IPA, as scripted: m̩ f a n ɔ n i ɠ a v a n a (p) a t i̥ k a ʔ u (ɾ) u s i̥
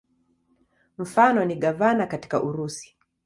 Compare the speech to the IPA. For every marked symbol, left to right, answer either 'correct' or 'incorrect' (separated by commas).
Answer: incorrect, correct